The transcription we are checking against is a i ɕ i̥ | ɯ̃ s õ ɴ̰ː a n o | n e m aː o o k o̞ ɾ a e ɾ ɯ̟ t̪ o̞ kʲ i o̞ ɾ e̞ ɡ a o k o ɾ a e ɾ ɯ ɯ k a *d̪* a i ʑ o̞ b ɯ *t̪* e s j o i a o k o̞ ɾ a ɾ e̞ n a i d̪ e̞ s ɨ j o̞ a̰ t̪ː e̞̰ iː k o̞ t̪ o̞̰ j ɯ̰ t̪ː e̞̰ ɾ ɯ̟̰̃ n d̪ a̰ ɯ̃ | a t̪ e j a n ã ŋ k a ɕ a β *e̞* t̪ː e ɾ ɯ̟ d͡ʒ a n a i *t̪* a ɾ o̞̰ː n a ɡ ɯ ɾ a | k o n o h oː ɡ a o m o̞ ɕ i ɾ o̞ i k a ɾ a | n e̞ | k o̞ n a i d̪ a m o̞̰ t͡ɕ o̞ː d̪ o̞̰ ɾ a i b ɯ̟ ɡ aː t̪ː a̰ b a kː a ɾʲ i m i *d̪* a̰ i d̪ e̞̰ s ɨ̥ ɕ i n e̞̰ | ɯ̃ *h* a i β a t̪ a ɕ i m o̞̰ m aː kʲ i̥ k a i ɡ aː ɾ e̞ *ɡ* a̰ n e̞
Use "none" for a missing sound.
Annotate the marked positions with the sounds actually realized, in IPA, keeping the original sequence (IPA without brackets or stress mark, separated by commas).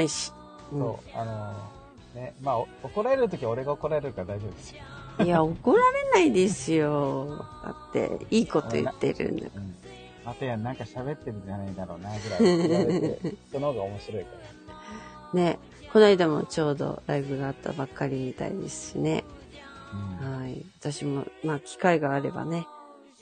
d̪, d̪, e̞, d̪, t̪, h, b